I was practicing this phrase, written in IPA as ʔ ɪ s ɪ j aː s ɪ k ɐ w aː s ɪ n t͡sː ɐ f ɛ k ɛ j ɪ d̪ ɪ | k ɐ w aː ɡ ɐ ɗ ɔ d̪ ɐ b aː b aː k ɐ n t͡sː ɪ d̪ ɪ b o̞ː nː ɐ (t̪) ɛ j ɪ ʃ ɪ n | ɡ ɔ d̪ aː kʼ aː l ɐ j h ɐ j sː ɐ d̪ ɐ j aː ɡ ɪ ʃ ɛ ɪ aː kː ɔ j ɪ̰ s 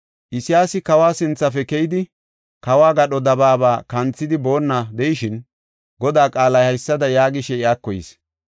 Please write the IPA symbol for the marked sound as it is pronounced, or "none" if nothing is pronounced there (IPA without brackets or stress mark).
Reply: d̪